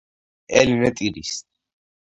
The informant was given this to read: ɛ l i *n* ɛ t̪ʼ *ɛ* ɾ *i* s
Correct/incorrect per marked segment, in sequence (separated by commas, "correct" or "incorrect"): correct, incorrect, correct